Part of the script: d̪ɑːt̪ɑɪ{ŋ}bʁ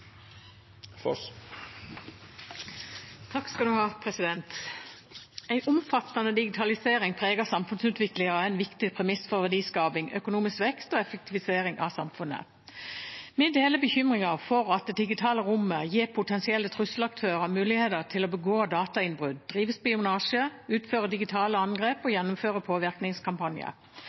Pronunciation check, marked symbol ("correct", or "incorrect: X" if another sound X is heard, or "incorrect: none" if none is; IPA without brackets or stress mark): incorrect: n